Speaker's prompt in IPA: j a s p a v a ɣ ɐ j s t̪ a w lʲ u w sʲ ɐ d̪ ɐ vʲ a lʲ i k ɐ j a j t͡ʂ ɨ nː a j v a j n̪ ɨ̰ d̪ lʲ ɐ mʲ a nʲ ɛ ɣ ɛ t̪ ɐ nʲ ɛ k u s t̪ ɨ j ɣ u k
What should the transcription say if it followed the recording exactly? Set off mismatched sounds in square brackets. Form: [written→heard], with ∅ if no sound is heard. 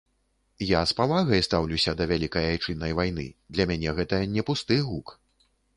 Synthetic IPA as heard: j a s p a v a ɣ ɐ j s t̪ a w lʲ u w sʲ ɐ d̪ ɐ vʲ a lʲ i k ɐ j a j t͡ʂ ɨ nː [a→ɐ] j v a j n̪ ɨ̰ d̪ lʲ ɐ mʲ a nʲ ɛ ɣ ɛ t̪ ɐ nʲ ɛ [k→p] u s t̪ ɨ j ɣ u k